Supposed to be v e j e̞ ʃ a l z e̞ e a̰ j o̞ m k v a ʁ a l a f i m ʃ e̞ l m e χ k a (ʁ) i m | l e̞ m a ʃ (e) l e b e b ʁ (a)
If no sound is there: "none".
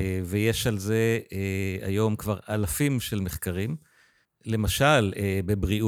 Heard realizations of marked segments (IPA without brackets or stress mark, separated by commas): ʁ, a, i